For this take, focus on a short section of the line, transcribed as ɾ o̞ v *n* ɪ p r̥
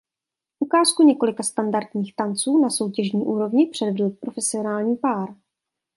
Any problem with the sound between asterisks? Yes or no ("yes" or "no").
yes